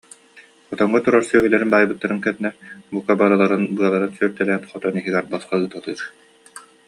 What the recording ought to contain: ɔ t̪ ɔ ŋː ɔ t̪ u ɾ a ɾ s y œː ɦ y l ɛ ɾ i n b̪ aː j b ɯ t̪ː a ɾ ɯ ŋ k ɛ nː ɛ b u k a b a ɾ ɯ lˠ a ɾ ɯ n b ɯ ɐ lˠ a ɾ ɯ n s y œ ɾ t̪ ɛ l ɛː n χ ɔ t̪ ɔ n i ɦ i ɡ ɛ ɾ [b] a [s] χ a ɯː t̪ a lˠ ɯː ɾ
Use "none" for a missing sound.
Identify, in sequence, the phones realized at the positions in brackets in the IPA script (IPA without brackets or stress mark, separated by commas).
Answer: b, s